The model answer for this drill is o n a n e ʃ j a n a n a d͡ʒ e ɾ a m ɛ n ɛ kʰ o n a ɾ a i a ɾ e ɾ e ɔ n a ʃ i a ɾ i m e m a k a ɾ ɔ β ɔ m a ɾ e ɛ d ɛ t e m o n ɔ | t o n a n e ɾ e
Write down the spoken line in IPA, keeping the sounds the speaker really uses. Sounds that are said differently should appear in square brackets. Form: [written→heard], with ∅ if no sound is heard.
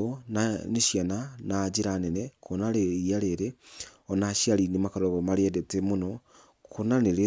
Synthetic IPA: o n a n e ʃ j a n a n a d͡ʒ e ɾ a [m→n] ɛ n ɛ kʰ o n a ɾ [a→e] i a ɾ e ɾ e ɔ n a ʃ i a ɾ i [m→n] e m a k a ɾ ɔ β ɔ m a ɾ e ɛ d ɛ t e m o n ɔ | [t→k] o n a n e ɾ e